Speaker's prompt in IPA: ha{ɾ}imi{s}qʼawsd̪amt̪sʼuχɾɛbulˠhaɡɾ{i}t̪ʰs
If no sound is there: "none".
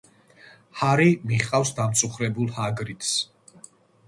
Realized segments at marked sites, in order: ɾ, χ, i

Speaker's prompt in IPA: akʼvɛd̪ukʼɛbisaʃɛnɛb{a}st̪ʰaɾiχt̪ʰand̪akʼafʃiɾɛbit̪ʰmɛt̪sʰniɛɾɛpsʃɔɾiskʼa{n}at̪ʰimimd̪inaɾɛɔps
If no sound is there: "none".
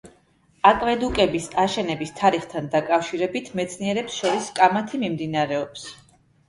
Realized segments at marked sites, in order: i, m

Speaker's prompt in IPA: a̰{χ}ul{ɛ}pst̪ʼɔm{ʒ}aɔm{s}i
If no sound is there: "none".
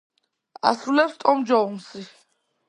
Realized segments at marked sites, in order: s, ɛ, d͡ʒ, s

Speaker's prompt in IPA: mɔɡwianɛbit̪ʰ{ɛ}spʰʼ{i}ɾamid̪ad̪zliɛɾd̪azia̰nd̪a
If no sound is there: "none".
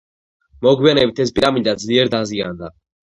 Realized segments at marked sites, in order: ɛ, i

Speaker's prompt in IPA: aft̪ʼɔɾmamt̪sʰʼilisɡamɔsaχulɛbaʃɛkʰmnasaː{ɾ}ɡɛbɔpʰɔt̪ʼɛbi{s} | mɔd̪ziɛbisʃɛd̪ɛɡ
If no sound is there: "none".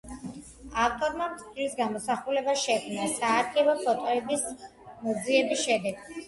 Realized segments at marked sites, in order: ɾ, s

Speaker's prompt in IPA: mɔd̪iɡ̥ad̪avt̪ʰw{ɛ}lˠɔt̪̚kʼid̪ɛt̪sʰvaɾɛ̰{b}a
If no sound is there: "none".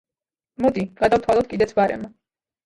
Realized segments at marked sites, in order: a, m

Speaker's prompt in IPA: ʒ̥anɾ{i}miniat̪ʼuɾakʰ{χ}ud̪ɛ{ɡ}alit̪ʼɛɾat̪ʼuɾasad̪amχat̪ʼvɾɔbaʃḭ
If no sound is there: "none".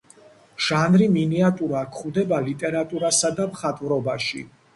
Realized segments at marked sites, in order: i, χ, b

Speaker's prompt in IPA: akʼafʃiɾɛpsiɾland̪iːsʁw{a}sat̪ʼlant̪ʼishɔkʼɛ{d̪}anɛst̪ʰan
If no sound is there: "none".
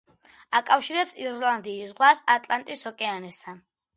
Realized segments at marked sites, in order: a, none

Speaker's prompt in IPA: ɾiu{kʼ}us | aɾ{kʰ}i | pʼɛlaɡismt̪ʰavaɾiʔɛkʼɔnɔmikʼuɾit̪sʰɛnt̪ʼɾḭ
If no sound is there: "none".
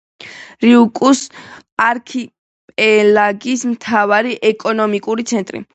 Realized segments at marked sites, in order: kʼ, kʰ

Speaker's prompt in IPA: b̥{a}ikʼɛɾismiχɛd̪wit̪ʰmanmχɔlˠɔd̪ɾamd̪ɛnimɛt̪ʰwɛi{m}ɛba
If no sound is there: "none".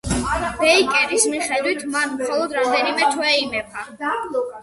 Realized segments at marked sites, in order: ɛ, m

